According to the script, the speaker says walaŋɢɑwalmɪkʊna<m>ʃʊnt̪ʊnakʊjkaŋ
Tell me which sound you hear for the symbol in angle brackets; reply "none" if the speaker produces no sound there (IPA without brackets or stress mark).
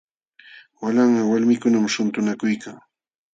m